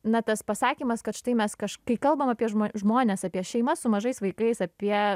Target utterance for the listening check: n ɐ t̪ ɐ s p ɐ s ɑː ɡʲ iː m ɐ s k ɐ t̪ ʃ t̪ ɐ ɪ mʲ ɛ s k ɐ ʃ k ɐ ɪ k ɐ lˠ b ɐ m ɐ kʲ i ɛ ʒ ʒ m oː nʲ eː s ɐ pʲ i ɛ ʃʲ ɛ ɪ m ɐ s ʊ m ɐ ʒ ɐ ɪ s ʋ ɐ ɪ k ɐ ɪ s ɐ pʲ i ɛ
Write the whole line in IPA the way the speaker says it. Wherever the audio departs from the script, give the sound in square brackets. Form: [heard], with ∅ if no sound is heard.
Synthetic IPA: n ɐ t̪ ɐ s p ɐ s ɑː [kʲ] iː m ɐ s k ɐ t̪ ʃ t̪ ɐ ɪ mʲ ɛ s k ɐ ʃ k ɐ ɪ k ɐ lˠ b ɐ m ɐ [pʲ] i ɛ ʒ ʒ m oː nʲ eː s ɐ pʲ i ɛ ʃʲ ɛ ɪ m ɐ s ʊ m ɐ ʒ ɐ ɪ s ʋ ɐ ɪ k ɐ ɪ s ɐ pʲ i ɛ

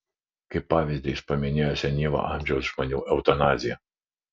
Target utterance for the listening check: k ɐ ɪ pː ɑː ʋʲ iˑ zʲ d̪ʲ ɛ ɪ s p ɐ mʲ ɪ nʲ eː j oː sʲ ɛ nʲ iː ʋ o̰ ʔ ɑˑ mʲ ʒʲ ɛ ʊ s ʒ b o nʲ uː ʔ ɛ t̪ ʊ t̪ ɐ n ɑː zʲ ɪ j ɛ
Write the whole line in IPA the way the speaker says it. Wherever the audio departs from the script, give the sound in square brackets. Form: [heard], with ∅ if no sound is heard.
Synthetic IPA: k ɐ ɪ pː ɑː ʋʲ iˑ zʲ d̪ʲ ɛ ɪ s p ɐ mʲ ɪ nʲ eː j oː sʲ ɛ nʲ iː ʋ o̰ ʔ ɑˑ mʲ ʒʲ ɛ ʊ s ʒ [m] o nʲ uː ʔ ɛ [∅] ʊ t̪ ɐ n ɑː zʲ ɪ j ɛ

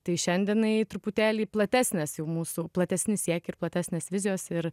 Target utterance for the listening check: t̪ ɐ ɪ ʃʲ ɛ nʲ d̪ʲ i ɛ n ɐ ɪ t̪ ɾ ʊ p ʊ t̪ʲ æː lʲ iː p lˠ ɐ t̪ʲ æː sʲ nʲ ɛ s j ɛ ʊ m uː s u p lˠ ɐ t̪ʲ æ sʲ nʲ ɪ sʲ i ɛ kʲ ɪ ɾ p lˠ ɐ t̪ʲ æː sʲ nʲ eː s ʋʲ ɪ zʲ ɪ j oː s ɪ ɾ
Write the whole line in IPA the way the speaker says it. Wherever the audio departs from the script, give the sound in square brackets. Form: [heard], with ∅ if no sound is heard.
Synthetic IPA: t̪ ɐ ɪ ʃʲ ɛ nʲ d̪ʲ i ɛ n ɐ ɪ t̪ ɾ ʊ p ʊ t̪ʲ æː lʲ iː p lˠ ɐ t̪ʲ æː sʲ nʲ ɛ s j ɛ ʊ m uː s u p lˠ ɐ t̪ʲ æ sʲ nʲ ɪ sʲ i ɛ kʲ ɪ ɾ p lˠ ɐ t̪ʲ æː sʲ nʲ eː s ʋʲ ɪ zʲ ɪ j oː s ɪ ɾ

